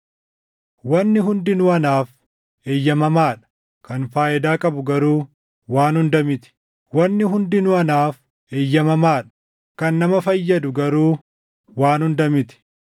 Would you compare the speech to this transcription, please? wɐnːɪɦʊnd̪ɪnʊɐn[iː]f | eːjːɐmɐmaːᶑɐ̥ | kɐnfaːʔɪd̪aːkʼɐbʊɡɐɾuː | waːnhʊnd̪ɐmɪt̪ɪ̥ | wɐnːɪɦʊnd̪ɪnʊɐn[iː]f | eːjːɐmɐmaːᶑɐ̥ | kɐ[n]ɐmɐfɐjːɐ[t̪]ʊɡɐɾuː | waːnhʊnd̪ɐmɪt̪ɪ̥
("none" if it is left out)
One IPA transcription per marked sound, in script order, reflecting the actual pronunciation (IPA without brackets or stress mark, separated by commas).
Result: aː, aː, nː, d̪